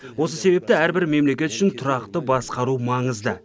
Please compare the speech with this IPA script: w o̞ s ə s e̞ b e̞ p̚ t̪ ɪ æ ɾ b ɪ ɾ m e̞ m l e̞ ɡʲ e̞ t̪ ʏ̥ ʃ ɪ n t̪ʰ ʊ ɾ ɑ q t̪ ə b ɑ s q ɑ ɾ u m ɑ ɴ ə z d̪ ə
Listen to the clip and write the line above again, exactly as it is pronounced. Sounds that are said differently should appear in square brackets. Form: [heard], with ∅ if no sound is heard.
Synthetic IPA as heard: w o̞ s ə s e̞ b e̞ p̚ t̪ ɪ æ ɾ b ɪ ɾ m e̞ m l e̞ [kʲ] e̞ t̪ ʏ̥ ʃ ɪ n t̪ʰ ʊ ɾ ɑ q t̪ ə b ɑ s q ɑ ɾ u m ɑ ɴ ə z d̪ ə